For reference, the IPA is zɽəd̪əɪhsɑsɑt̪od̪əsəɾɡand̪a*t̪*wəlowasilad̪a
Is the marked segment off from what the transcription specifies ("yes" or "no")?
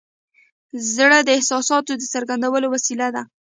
yes